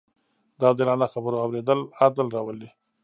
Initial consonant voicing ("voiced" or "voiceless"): voiced